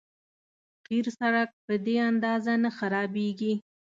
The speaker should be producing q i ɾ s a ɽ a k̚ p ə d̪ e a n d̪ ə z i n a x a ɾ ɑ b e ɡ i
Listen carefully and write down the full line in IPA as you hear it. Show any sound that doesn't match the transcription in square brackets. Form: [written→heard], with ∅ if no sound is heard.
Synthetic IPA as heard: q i ɾ s a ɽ a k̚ p ə d̪ e a n d̪ [ə→ɑ] z [i→a] n a x a ɾ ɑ b e ɡ i